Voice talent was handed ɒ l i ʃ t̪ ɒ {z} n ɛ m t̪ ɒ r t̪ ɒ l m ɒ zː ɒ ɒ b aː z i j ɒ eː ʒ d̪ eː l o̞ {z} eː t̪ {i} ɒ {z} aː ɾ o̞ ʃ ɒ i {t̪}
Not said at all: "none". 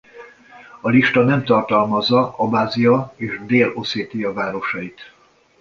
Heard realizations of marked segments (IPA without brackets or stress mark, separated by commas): none, s, i, v, t̪